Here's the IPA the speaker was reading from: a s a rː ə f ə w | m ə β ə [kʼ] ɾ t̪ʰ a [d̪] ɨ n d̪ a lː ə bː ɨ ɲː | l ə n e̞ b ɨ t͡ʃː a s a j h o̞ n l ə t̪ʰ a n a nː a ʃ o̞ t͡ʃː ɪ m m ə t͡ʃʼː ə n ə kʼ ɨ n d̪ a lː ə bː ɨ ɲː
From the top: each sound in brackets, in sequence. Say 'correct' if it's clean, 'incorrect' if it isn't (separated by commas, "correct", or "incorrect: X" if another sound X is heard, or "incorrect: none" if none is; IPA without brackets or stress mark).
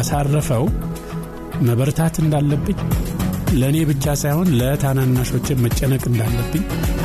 incorrect: none, incorrect: t̪